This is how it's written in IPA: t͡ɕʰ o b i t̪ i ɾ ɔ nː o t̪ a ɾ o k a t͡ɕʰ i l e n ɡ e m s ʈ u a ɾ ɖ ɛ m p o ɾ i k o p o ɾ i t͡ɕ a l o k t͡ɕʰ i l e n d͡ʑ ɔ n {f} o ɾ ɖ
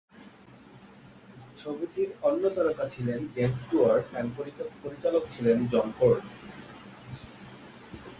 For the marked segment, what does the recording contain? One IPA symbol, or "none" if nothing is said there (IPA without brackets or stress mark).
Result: f